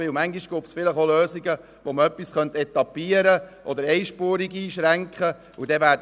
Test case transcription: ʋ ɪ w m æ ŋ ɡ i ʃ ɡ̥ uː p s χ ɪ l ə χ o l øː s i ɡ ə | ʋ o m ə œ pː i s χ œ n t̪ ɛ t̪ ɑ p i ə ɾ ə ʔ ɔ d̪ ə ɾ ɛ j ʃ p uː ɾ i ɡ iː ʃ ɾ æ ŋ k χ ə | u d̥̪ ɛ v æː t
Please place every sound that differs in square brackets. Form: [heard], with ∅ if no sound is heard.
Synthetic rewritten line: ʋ ɪ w m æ ŋ ɡ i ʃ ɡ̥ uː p s [f] ɪ l ə χ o l øː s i ɡ ə | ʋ o m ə œ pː i s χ œ n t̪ ɛ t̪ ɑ p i ə ɾ ə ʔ ɔ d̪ ə ɾ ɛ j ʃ p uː ɾ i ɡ iː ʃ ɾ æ ŋ k χ ə | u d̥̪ ɛ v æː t